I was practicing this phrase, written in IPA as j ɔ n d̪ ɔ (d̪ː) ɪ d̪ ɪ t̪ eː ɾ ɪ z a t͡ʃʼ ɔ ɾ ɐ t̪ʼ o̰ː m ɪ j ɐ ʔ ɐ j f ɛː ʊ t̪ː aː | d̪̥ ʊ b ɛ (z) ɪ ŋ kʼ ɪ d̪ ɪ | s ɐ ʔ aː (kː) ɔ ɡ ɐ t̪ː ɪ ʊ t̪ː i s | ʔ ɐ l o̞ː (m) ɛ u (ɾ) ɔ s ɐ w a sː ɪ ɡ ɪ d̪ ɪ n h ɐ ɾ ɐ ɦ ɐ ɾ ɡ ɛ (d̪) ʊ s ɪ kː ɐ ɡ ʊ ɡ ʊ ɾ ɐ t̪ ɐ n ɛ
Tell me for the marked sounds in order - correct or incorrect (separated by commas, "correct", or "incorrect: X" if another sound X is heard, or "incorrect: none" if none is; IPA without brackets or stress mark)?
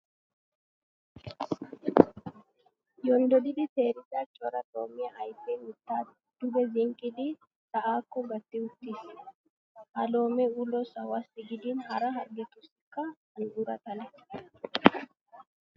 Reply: incorrect: d̪, correct, correct, correct, incorrect: l, incorrect: t̪